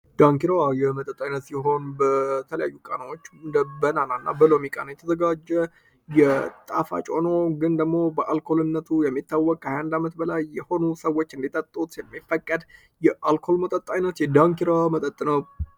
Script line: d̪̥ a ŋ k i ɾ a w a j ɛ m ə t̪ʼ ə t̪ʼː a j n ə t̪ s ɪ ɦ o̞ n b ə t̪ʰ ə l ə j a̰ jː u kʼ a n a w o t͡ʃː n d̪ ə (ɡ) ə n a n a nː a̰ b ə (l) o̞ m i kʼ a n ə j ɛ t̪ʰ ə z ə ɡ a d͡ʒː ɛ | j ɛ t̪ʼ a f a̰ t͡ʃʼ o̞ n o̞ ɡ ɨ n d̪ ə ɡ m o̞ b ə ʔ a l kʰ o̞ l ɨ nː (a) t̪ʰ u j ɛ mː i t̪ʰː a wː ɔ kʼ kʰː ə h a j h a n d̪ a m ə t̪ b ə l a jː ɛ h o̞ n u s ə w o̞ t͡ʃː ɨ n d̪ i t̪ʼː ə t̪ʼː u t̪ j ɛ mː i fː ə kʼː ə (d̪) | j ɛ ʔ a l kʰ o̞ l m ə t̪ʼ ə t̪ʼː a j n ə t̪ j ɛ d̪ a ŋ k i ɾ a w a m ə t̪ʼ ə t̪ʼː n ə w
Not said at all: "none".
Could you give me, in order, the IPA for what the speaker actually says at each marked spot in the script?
b, l, ə, d̪

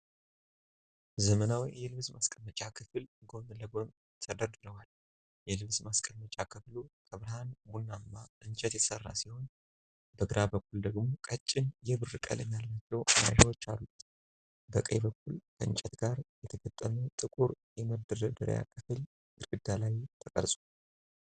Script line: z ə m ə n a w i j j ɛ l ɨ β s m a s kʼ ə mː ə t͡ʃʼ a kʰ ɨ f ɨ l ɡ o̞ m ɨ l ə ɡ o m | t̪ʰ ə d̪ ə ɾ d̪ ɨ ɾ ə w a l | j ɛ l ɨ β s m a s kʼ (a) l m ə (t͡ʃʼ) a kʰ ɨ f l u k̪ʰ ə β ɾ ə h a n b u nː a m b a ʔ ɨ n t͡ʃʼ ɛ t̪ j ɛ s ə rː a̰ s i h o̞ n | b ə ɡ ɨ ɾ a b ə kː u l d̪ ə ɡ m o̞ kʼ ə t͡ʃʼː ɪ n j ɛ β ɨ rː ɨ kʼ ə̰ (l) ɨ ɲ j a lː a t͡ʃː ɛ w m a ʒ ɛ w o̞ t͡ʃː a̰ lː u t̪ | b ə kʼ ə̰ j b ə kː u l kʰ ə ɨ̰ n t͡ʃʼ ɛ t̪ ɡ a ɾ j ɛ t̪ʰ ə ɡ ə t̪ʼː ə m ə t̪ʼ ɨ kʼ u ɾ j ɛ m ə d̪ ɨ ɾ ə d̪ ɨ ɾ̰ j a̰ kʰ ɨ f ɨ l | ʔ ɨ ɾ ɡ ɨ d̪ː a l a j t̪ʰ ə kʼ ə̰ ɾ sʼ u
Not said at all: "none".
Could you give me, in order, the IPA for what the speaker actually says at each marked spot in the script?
ə, t͡ʃʼ, l

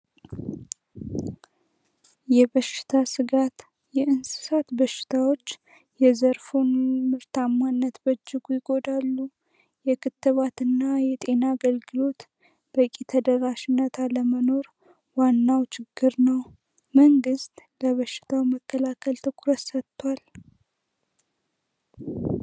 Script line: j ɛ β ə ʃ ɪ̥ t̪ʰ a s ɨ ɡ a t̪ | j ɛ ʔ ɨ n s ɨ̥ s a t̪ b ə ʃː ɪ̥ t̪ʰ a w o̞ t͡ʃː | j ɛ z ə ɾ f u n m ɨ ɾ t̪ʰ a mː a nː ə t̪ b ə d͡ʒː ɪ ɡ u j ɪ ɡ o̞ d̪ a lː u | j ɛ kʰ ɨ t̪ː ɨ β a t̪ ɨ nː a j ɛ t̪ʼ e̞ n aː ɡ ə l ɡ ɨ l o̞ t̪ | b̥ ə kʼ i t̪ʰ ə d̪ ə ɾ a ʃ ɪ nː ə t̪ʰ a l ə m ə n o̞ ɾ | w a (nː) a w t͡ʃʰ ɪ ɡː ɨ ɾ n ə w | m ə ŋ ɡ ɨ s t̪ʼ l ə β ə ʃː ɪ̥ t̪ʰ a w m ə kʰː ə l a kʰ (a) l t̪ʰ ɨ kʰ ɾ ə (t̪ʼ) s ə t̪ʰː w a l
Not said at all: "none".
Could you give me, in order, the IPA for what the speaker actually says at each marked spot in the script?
nː, ə, t̪

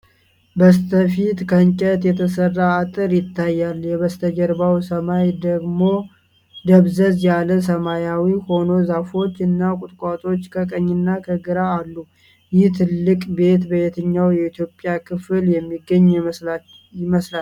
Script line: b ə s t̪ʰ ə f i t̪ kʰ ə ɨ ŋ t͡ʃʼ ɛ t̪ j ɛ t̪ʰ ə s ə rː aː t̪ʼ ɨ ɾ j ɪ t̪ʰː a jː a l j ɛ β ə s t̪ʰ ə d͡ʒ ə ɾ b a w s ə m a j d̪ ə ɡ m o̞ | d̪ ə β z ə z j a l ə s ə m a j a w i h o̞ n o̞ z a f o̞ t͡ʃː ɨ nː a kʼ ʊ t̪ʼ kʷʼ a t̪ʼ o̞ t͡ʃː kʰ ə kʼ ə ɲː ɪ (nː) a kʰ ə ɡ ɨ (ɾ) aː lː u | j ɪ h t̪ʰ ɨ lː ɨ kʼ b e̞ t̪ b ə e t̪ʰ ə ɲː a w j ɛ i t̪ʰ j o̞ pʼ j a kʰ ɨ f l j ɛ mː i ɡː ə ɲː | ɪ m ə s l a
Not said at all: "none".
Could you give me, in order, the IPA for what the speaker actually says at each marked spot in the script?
nː, ɾ

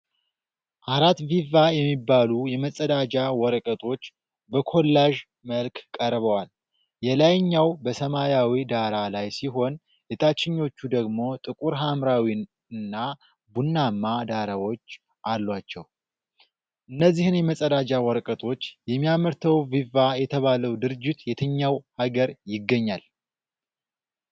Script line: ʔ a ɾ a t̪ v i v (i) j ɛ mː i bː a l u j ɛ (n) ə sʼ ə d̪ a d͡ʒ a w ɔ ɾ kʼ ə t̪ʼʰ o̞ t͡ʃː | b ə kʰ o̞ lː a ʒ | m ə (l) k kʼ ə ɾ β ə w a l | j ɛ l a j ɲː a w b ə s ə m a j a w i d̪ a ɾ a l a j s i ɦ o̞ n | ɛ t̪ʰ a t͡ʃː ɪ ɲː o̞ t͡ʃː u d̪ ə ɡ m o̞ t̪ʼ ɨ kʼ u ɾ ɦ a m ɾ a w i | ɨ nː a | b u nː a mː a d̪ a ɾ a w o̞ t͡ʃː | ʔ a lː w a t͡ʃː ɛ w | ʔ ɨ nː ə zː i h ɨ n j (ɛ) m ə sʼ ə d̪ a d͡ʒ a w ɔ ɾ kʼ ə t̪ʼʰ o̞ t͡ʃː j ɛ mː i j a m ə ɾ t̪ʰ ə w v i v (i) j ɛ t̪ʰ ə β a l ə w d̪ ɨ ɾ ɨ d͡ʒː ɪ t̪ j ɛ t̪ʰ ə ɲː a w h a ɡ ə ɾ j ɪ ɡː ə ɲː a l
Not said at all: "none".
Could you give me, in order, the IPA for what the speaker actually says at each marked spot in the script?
a, m, l, ɛ, a

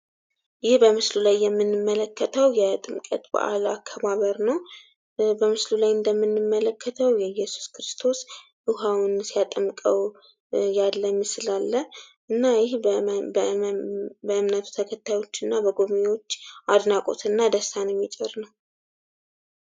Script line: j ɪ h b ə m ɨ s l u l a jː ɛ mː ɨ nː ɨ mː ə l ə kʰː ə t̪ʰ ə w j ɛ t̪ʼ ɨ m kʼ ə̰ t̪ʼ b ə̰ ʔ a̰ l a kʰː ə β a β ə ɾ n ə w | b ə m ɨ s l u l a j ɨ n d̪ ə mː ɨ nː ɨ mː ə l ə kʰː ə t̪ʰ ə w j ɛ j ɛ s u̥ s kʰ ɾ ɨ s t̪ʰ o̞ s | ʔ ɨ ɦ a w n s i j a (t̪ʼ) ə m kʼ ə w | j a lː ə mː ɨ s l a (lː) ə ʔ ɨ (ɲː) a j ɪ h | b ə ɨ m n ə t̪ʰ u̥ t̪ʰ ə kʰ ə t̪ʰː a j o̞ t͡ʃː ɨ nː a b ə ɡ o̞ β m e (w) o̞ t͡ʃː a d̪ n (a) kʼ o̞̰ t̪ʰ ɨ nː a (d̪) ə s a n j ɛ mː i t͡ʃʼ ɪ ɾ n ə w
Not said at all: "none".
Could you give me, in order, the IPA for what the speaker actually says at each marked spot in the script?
t̪ʼ, lː, nː, w, a, d̪

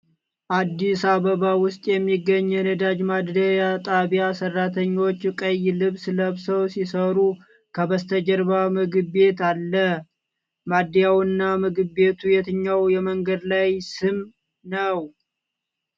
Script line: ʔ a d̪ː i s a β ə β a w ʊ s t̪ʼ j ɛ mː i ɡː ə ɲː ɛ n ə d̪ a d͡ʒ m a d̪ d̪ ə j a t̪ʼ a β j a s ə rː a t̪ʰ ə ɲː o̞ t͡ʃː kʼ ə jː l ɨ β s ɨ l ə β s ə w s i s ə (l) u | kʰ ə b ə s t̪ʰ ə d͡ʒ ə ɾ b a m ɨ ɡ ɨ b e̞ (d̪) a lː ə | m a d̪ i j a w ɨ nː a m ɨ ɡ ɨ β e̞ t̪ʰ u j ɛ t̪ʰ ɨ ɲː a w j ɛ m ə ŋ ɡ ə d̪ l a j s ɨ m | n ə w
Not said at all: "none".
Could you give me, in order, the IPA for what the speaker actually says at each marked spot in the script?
ɾ, t̪

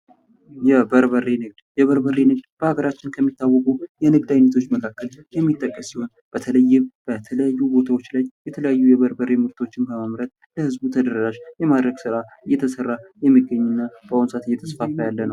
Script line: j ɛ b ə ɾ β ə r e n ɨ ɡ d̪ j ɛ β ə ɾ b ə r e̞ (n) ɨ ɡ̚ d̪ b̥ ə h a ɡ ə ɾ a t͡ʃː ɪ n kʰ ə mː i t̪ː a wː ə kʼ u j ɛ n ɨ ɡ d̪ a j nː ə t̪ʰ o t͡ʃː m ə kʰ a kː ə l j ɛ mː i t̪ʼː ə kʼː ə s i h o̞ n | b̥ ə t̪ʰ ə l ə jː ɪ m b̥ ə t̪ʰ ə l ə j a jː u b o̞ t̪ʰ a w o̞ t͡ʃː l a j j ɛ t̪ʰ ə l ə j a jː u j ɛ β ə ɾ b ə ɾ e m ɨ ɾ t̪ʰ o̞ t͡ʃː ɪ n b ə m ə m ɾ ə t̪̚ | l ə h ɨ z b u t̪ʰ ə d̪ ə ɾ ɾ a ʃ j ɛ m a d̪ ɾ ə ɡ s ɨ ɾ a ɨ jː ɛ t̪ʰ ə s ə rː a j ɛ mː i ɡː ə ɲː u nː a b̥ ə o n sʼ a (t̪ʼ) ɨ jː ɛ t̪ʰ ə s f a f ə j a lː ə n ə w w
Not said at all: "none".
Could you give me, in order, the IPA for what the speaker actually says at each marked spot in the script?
n, t̪

